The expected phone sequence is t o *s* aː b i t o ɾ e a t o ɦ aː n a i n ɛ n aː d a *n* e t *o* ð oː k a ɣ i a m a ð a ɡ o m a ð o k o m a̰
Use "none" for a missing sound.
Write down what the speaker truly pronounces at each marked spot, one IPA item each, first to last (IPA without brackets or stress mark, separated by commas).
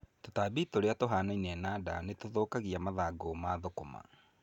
t, n, o